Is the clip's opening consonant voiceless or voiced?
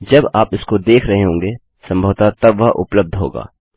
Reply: voiced